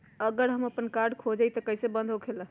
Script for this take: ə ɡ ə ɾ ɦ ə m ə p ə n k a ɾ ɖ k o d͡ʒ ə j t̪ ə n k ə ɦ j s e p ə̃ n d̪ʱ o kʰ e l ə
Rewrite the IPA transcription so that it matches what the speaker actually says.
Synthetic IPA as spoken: ə ɡ ə ɾ ɦ ə m ə p ə n k a ɾ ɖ kʰ o d͡ʒ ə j t̪ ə k ə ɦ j s e b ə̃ n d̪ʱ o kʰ e l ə